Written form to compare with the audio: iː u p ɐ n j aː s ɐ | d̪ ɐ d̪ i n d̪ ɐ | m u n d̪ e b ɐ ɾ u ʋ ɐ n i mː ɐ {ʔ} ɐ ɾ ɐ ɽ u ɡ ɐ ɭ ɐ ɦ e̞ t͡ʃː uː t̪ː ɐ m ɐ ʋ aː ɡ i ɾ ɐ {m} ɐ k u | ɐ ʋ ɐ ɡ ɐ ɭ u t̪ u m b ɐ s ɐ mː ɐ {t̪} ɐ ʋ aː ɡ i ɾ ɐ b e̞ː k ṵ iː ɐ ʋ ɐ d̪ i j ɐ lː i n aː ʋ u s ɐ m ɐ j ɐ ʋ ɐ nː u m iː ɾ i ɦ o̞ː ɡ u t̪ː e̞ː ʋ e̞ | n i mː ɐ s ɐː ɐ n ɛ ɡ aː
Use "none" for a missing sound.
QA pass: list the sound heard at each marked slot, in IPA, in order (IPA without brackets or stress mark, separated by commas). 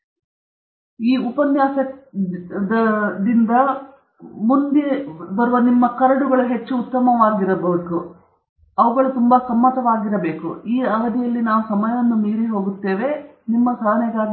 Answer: k, b, t̪